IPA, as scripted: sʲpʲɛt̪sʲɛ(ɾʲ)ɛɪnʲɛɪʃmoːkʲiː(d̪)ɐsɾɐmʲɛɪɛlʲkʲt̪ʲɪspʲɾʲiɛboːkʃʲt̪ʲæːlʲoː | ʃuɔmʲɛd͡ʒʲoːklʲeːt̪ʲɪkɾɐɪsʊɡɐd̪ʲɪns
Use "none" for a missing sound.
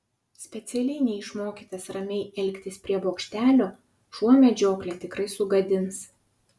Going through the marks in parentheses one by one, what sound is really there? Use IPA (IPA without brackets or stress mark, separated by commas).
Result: lʲ, t̪